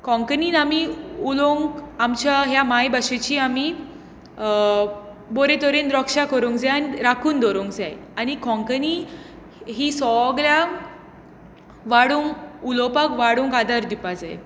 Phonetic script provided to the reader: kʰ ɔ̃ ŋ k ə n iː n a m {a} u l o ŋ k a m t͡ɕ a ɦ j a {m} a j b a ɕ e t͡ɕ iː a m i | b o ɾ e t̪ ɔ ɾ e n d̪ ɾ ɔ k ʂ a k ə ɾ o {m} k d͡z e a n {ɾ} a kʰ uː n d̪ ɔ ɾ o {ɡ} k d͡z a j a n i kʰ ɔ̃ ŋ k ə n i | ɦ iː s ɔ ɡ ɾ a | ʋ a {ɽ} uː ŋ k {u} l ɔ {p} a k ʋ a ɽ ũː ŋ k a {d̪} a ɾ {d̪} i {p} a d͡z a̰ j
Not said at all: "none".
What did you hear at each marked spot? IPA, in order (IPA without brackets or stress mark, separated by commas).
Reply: i, m, ŋ, ɾ, ŋ, ɽ, u, p, d̪, d̪, p